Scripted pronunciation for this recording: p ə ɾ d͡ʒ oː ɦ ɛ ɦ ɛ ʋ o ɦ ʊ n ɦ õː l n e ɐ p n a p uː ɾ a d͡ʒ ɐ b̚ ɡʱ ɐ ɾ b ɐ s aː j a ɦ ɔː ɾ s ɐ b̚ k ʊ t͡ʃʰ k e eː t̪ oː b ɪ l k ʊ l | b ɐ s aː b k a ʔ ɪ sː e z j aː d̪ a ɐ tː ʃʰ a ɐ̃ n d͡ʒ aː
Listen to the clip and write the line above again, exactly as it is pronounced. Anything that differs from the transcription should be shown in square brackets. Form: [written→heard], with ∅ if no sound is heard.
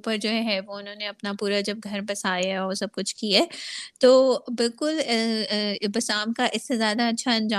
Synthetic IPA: p ə ɾ d͡ʒ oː ɦ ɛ ɦ ɛ ʋ o [ɦ→∅] ʊ n ɦ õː [l→∅] n e ɐ p n a p uː ɾ a d͡ʒ ɐ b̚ ɡʱ ɐ ɾ b ɐ s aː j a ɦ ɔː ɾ s ɐ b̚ k ʊ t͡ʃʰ k [e→i] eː t̪ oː b ɪ l k ʊ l | b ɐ s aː [b→m] k a ʔ ɪ sː e z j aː d̪ a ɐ tː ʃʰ a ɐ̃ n d͡ʒ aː